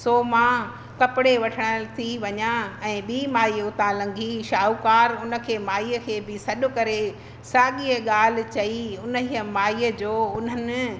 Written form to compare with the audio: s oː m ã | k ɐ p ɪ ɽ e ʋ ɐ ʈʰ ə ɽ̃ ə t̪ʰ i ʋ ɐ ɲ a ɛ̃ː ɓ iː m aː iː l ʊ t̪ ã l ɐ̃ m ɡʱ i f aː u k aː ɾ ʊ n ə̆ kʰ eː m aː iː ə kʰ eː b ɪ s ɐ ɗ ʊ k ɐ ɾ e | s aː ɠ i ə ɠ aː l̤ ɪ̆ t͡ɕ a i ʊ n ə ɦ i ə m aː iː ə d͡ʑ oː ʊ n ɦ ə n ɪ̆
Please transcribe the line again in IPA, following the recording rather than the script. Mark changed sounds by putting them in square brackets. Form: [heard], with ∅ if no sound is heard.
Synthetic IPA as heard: s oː m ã | k ɐ p ɪ ɽ e ʋ ɐ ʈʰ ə ɽ̃ ə t̪ʰ i ʋ ɐ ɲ a ɛ̃ː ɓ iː m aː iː [∅] ʊ t̪ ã l ɐ̃ [ŋ] ɡʱ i [ʃ] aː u k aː ɾ ʊ n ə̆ kʰ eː m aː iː ə kʰ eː b ɪ s ɐ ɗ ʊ k ɐ ɾ e | s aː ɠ i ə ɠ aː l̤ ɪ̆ t͡ɕ [ɐ] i ʊ n ə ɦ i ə m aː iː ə d͡ʑ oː ʊ n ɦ ə n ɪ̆